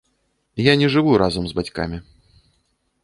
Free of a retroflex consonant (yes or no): no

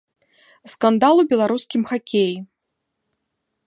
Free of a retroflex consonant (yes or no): yes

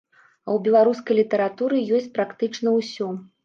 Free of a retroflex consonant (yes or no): no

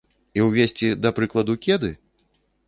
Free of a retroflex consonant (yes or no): yes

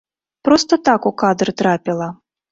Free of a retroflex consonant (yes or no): yes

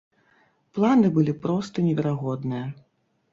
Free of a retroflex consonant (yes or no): yes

